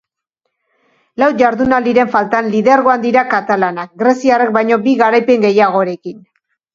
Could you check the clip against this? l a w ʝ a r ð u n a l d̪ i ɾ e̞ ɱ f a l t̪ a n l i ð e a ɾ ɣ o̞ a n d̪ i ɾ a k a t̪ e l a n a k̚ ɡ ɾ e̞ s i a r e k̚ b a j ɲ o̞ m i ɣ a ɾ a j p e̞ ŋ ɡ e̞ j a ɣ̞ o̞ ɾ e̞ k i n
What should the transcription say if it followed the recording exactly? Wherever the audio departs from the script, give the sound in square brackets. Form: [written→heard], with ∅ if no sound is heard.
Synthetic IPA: l a w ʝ a [r→ɾ] ð u n a l d̪ i ɾ e̞ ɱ f a l t̪ a n l i ð e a ɾ ɣ o̞ a n d̪ i ɾ a k a t̪ [e→a] l a n a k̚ ɡ ɾ e̞ s i a r e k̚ b a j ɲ o̞ [m→b] i ɣ a ɾ a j p e̞ ŋ ɡ e̞ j a ɣ̞ o̞ ɾ e̞ k i n